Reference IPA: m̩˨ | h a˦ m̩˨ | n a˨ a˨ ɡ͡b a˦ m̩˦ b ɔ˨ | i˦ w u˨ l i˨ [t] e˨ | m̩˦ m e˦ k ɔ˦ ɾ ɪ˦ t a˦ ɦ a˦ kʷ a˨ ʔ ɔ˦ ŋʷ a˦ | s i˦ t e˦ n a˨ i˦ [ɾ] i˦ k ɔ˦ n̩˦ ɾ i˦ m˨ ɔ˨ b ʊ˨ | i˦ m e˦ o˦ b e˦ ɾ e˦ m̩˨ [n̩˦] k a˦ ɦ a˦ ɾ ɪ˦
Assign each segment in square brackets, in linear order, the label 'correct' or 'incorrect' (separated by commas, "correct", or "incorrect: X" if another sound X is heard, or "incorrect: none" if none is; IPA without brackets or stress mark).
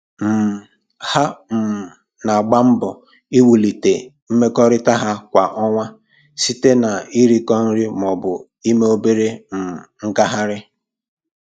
correct, correct, incorrect: ŋ̩˦